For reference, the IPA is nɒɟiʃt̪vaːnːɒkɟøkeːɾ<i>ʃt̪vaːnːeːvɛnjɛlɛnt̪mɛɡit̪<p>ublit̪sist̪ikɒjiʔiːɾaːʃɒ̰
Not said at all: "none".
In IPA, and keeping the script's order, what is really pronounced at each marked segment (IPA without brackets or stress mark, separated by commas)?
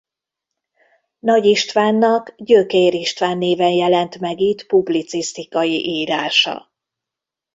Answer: i, p